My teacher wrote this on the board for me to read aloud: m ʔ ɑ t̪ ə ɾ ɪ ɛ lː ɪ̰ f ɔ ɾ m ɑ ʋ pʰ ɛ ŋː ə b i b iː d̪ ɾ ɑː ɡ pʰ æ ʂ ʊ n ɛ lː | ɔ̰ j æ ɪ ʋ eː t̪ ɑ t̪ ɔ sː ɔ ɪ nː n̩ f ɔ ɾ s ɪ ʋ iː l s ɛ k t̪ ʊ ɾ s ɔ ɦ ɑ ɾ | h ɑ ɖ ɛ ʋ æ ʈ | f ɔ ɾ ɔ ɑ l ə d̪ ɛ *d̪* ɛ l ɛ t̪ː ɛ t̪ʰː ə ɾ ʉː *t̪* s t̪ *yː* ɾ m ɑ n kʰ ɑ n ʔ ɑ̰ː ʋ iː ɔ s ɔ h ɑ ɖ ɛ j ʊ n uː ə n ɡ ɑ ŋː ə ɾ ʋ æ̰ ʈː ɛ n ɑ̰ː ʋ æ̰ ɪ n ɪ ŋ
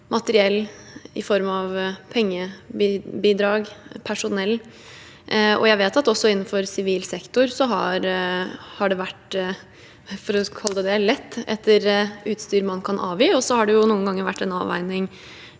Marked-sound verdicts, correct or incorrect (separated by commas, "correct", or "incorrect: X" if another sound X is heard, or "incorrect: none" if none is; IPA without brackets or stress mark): correct, correct, correct